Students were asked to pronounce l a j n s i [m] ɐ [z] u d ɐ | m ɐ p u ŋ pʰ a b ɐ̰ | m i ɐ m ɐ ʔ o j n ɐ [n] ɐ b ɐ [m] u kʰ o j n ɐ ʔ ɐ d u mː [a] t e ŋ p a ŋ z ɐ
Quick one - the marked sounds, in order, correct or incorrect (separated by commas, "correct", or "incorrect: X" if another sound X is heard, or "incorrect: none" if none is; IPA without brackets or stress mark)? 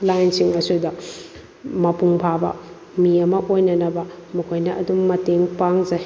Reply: incorrect: ŋ, incorrect: s, correct, correct, incorrect: ɐ